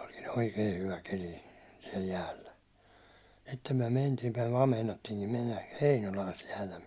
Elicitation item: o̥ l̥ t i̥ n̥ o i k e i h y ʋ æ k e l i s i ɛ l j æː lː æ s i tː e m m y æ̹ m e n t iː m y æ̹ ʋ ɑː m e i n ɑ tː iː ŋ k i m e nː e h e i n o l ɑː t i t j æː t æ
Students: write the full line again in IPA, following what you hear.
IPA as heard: o̥ l̥ k i̥ n̥ o i k e i h y ʋ æ k e l i s i ɛ l j æː lː æ s i tː e m m y æ̹ m e n t iː m y æ̹ ʋ ɑː m e i n ɑ tː iː ŋ k i m e nː æ h e i n o l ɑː s i t j æː t æ

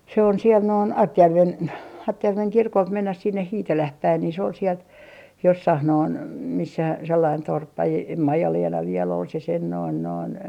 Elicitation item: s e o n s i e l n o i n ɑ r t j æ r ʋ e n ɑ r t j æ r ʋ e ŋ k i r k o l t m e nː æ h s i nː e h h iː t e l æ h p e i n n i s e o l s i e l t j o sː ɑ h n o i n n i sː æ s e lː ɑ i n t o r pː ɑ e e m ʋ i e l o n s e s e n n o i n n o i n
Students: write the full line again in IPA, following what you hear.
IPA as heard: s e o n s i e l n o i n ɑ r t j æ r ʋ e n ɑ r t j æ r ʋ e ŋ k i r k o l t m e nː æ h s i nː e h h iː t e l æ h p æ i n n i s e o l s i e l t j o sː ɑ h n o i n m i sː æ s e lː ɑ i n t o r pː ɑ e e m ʋ i e l o n s e s e n n o i n n o i n

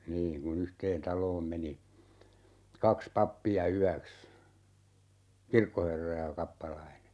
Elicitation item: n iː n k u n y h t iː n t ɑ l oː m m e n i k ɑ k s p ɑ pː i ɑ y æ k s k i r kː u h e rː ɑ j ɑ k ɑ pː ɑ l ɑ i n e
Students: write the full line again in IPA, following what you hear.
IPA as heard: n iː n k u n y h t eː n t ɑ l oː m m e n i k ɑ k s p ɑ pː i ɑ y æ k s k i r kː o h e rː ɑ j ɑ k ɑ pː ɑ l ɑ i n e

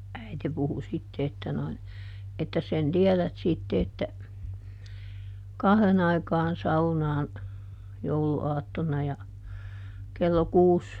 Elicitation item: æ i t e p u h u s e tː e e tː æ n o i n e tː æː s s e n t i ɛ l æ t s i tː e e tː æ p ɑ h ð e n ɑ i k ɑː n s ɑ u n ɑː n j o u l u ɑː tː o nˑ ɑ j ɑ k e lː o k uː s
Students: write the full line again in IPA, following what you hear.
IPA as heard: æ i t e p u h u s i tː e e tː æ n o i n e tː æ s s e n t i ɛ l æ t s i tː e e tː æ k ɑ h ð e n ɑ i k ɑː n s ɑ u n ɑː n j o u l u ɑː tː o nˑ ɑ j ɑ k e lː o k uː s

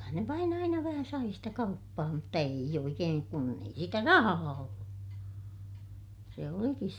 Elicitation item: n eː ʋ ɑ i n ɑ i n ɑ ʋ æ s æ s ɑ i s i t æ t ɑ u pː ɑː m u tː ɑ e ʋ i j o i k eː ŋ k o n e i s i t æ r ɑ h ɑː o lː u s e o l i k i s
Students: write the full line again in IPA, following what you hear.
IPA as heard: n e ʋ ɑ i n ɑ i n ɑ ʋ æ h æ s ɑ i s i t æ k ɑ u pː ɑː m u tː ɑ e i j o i k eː ŋ k u n e i s i t æ r ɑ h ɑː o lː u s e o l i k i s

